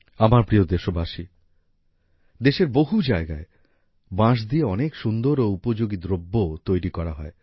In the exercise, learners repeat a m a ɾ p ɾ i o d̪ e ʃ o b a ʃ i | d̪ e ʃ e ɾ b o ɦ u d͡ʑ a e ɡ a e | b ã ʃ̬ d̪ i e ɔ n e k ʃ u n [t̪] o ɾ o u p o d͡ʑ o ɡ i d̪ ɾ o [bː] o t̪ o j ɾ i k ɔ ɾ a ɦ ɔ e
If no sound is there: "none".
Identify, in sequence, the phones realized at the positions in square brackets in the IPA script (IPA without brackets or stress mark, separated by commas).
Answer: d̪, bː